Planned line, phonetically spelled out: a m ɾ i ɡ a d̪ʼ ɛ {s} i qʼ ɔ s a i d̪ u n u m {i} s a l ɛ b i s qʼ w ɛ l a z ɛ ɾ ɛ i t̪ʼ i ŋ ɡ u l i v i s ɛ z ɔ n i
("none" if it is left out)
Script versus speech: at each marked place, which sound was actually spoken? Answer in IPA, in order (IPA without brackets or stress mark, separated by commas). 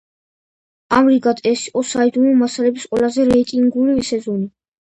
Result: s, a